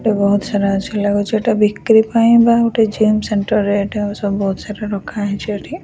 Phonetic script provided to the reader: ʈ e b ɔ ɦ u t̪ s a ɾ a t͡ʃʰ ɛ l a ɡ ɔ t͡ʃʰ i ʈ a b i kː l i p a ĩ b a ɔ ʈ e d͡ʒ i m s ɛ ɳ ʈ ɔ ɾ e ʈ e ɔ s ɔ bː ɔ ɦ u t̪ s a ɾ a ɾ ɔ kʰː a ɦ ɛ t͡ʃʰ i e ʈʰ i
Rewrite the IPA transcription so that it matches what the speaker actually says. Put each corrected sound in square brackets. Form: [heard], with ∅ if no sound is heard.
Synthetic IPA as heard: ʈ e b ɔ ɦ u t̪ s a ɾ a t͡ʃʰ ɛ l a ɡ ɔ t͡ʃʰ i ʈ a b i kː [ɾ] i p a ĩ b a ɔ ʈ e d͡ʒ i m s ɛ ɳ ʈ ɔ ɾ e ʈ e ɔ s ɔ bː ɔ ɦ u t̪ s a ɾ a ɾ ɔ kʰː a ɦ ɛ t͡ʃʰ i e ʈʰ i